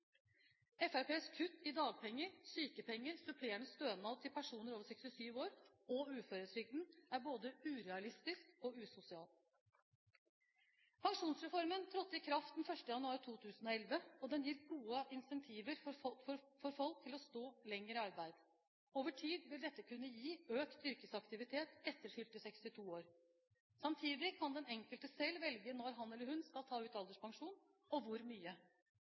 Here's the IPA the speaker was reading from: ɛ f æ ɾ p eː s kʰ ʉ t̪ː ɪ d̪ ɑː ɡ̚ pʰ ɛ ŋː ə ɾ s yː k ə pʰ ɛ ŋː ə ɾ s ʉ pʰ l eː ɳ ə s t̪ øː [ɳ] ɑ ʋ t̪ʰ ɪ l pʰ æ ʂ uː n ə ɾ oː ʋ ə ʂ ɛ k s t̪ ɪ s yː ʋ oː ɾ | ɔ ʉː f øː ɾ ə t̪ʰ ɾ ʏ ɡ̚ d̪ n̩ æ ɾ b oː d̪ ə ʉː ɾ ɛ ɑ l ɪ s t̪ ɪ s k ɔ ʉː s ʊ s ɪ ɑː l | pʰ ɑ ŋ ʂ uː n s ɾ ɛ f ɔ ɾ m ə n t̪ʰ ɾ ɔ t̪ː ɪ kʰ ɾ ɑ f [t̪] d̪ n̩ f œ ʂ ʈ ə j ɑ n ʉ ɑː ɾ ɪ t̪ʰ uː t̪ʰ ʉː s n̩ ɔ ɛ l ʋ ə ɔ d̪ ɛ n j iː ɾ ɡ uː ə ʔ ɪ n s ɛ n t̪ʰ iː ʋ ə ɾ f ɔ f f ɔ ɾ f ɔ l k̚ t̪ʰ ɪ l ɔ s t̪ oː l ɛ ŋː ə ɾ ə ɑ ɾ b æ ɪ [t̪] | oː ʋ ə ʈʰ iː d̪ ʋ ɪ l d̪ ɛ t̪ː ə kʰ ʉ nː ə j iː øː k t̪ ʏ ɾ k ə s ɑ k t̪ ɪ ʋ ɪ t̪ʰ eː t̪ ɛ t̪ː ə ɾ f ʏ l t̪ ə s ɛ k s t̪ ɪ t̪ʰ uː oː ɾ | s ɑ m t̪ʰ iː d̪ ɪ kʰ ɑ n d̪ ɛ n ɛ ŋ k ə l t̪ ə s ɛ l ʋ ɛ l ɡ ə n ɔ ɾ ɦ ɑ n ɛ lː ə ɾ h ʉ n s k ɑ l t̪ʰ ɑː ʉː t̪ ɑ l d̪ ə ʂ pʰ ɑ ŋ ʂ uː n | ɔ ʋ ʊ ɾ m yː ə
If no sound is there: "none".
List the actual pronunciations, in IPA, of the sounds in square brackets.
n, t̪, d̪

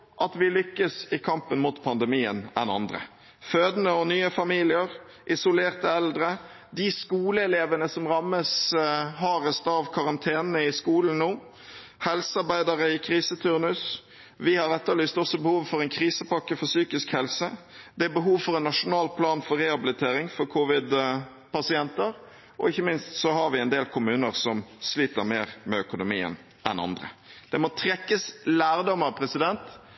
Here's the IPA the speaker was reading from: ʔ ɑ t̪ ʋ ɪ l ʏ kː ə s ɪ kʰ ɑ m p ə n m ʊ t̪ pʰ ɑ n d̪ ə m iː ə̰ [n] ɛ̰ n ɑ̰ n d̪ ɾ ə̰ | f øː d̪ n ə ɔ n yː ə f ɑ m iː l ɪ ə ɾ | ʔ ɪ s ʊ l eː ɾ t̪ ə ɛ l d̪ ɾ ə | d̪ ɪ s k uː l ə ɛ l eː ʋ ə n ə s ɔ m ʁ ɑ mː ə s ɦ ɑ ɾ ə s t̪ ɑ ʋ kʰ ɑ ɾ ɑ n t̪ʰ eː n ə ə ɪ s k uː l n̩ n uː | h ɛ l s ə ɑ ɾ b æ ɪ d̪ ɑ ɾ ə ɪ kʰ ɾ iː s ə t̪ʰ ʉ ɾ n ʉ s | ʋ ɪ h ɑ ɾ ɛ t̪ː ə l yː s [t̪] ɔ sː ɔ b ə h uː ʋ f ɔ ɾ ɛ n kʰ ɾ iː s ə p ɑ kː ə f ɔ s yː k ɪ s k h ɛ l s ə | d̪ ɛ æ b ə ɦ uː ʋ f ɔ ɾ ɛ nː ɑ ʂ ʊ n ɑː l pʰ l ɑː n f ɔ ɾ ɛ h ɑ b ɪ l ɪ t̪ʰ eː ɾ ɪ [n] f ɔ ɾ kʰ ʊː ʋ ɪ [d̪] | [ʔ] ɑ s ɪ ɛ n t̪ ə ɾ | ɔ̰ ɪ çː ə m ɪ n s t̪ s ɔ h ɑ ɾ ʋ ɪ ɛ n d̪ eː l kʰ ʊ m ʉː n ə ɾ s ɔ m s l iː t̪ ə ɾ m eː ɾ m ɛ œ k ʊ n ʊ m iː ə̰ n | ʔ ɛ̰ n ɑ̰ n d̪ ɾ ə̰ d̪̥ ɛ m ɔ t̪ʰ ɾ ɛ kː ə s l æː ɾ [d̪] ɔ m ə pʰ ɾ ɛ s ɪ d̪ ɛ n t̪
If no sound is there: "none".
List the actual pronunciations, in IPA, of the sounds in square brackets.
n, t̪, ŋ, d̪, p, d̪

